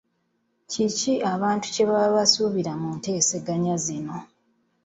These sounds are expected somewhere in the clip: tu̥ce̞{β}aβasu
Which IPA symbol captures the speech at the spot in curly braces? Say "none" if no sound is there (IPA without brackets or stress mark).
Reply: β